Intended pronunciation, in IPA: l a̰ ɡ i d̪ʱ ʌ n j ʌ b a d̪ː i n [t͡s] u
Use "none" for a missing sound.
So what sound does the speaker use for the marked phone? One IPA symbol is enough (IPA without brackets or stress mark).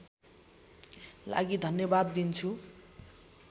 t͡sʰ